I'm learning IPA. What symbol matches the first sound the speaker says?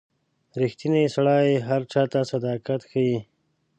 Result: ɾ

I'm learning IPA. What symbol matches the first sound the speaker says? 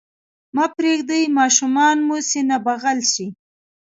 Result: m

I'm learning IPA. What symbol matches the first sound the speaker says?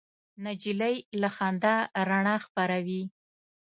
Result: n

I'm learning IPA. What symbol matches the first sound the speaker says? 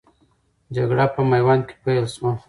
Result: d͡ʒ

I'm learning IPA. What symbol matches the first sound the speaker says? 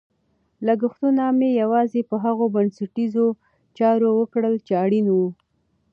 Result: l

